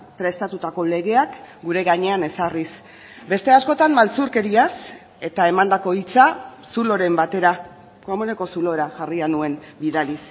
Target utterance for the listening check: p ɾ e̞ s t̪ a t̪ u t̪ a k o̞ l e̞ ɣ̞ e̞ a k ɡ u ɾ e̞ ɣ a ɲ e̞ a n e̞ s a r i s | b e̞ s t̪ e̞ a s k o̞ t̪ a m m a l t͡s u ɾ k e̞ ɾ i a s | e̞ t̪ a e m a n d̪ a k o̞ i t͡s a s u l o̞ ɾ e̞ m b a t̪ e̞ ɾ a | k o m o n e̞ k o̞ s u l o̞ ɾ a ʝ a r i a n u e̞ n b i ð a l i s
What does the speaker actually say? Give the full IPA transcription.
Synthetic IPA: p ɾ e̞ s t̪ a t̪ u t̪ a k o̞ l e̞ ɣ̞ e̞ a k ɡ u ɾ e̞ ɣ a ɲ e̞ a n e̞ s a r i s | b e̞ s t̪ e̞ a s k o̞ t̪ a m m a l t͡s u ɾ k e̞ ɾ i a s | e̞ t̪ a e m a n d̪ a k o̞ i t͡s a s u l o̞ ɾ e̞ m b a t̪ e̞ ɾ a | k o m o n e̞ k o̞ s u l o̞ ɾ a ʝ a r i a n u e̞ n b i ð a l i s